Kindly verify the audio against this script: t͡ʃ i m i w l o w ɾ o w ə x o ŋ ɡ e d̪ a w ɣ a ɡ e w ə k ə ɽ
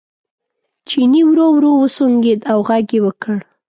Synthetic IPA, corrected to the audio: t͡ʃ i n i w ɾ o w ɾ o w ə s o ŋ ɡ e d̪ a w ɣ a ɡ e w ə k ə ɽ

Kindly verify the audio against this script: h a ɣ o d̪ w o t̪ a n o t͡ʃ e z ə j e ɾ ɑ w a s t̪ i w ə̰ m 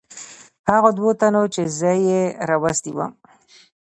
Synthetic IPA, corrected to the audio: h a ɣ o d̪ w o t̪ a n o t͡ʃ e z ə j e ɾ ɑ w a s t̪ i w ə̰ m

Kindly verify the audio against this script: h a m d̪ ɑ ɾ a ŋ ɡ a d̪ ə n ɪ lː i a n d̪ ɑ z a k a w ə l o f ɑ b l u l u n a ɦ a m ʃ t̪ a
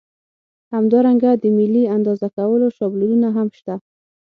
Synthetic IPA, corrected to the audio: h a m d̪ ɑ ɾ a ŋ ɡ a d̪ ə m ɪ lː i a n d̪ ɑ z a k a w ə l o ʃ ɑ b l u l u n a ɦ a m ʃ t̪ a

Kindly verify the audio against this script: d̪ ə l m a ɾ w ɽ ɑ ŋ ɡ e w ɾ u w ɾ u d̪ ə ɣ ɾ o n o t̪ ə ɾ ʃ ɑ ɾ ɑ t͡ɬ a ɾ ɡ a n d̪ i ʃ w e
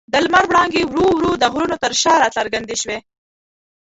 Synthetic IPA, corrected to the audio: d̪ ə l m a ɾ w ɽ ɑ ŋ ɡ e w ɾ u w ɾ u d̪ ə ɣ ɾ u n o t̪ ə ɾ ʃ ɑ ɾ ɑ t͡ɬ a ɾ ɡ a n d̪ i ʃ w e

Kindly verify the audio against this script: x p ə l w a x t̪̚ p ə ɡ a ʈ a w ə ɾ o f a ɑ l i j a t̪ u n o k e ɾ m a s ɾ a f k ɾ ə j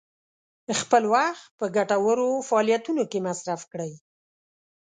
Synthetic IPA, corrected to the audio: x p ə l w a x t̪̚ p ə ɡ a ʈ a w ə ɾ o f a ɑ l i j a t̪ u n o k e m a s ɾ a f k ɽ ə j

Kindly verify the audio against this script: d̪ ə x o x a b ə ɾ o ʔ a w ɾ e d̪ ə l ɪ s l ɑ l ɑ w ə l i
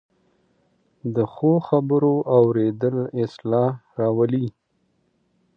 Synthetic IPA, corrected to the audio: d̪ ə x o x a b ə ɾ o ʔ a w ɾ e d̪ ə l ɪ s l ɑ ɾ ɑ w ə l i

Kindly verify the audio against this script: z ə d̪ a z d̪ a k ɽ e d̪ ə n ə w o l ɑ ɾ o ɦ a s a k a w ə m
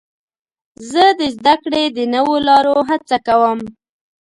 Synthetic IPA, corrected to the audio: z ə d̪ ə z d̪ a k ɽ e d̪ ə n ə w o l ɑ ɾ o ɦ a t͡s a k a w ə m

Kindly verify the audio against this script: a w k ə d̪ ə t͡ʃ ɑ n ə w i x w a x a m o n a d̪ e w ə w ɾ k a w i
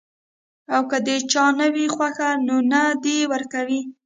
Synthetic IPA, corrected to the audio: a w k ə d̪ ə t͡ʃ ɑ n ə w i x w a x a n o n a d̪ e w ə ɾ k a w i

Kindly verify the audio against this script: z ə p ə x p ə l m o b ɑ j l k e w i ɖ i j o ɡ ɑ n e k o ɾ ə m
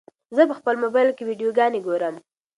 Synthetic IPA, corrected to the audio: z ə p ə x p ə l m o b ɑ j l k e w i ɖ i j o ɡ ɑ n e ɡ o ɾ ə m

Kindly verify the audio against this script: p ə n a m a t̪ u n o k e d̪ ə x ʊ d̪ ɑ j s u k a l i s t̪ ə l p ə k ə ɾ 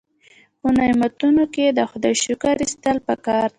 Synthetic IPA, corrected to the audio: p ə n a m a t̪ u n o k e d̪ ə x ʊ d̪ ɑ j ʃ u k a ɾ i s t̪ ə l p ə k ɑ ɾ

